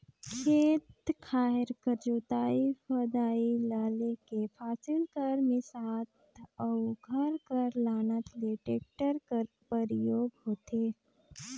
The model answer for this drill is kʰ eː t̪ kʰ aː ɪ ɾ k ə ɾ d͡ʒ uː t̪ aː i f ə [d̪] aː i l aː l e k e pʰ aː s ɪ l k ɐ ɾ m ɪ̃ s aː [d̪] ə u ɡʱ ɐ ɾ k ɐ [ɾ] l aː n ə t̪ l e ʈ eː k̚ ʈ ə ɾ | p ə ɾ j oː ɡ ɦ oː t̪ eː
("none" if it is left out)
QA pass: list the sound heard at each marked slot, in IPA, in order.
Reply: d̪, t̪, ɾ

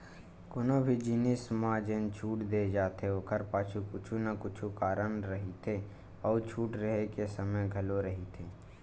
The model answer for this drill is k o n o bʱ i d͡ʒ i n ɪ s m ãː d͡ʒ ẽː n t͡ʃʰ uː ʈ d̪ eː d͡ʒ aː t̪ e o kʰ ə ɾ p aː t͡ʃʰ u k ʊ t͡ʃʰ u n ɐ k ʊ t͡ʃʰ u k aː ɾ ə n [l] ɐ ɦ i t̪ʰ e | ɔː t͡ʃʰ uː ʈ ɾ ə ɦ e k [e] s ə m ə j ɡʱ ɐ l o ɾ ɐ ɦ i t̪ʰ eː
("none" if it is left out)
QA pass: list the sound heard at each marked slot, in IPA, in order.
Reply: ɾ, e

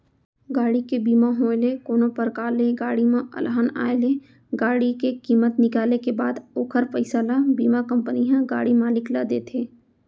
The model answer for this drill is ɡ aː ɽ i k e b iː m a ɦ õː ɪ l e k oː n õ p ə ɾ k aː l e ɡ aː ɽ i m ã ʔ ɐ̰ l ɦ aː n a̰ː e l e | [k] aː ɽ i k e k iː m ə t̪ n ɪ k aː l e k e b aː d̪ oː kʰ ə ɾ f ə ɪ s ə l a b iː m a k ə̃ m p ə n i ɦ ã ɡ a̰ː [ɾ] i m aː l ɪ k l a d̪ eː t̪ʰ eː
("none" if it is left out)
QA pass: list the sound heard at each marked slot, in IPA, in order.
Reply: ɡ, ɽ

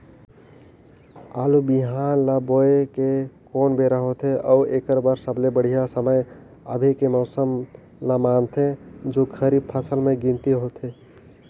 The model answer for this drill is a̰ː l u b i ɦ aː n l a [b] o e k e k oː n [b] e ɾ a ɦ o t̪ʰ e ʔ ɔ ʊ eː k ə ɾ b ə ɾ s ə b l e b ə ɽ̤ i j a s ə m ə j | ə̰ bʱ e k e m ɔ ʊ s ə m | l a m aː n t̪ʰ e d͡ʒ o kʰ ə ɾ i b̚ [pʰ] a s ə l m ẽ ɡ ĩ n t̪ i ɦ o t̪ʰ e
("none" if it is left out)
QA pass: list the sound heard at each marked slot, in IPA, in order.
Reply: b, b, pʰ

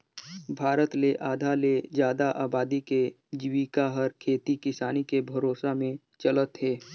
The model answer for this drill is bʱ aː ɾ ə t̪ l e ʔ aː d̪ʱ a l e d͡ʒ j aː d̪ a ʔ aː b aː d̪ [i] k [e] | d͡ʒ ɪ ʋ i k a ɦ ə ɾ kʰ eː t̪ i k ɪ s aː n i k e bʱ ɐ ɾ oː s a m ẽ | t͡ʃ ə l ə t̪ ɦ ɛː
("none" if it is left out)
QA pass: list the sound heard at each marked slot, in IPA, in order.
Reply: i, e

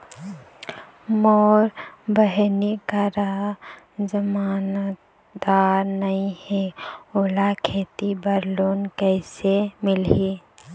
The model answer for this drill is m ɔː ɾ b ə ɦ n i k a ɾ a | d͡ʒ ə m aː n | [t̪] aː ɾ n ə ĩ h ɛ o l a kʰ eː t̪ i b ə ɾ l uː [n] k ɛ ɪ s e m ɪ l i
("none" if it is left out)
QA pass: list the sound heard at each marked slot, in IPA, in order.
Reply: d̪, n

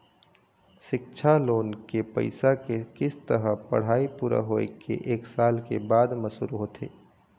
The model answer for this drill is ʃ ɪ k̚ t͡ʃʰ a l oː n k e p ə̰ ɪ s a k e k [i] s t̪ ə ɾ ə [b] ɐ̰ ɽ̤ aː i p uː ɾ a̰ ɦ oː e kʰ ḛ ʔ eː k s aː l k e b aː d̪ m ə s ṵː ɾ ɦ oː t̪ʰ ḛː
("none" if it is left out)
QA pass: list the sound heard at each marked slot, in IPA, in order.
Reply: ɪ, p

